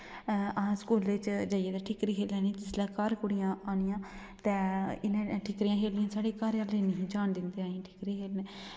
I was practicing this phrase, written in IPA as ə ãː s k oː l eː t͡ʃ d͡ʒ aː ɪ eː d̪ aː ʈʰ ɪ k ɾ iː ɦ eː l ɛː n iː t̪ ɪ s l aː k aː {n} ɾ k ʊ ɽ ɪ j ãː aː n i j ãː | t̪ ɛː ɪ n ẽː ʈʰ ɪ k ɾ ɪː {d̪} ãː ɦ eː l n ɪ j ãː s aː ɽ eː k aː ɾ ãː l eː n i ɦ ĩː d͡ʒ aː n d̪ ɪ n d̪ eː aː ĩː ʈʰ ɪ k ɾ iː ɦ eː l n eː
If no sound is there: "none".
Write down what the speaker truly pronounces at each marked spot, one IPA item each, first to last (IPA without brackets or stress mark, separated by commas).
none, none